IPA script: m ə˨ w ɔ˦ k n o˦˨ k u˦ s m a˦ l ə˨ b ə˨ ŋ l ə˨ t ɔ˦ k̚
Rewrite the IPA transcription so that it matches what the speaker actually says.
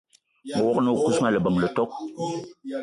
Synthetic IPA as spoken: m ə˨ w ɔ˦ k n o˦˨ k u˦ s m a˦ l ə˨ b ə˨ ŋ l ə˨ t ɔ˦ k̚